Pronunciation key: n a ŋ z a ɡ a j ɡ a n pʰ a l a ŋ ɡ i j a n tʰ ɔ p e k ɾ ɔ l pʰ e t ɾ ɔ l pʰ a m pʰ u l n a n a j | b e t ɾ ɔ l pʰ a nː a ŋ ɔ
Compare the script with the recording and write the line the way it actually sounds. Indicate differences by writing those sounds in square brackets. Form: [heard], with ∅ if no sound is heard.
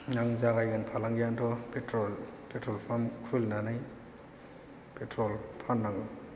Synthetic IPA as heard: n a ŋ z a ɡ a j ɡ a n pʰ a l a ŋ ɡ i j a n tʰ ɔ p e [t] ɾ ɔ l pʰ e t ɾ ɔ l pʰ a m [kʰ] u l n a n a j | [p] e t ɾ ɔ l pʰ a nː a ŋ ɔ